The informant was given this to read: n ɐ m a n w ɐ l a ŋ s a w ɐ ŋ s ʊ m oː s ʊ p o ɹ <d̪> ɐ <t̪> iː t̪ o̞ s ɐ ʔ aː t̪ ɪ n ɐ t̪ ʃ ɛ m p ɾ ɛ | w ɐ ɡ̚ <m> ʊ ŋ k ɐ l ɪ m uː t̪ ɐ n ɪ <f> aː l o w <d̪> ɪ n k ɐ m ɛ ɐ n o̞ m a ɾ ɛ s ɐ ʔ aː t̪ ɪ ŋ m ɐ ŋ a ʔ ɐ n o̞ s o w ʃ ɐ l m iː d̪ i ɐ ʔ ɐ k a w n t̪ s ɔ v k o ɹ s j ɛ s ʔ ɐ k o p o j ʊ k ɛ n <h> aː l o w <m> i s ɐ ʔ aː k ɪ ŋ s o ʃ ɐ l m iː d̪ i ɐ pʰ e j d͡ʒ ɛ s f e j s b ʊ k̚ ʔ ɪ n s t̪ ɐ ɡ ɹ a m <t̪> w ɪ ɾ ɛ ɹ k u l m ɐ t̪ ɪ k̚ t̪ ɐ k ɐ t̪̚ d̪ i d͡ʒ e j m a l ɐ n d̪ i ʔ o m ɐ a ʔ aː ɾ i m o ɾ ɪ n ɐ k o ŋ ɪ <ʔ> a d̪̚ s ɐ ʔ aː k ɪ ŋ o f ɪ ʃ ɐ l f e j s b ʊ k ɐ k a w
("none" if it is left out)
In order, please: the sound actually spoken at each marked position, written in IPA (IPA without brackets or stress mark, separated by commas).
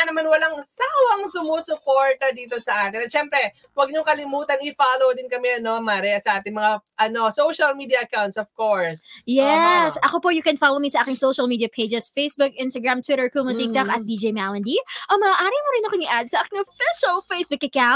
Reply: t̪, d̪, ɲ, f, d̪, f, m, t̪, ʔ